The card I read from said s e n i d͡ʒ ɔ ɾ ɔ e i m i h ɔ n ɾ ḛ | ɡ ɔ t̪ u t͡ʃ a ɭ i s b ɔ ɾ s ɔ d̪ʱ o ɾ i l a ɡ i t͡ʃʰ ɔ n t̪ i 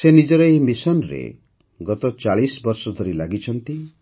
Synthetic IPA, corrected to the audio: s e n i d͡ʒ ɔ ɾ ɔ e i m i s ɔ n ɾ ḛ | ɡ ɔ t̪ ɔ t͡ʃ a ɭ i s b ɔ ɾ s ɔ d̪ʱ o ɾ i l a ɡ i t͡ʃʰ ɔ n t̪ i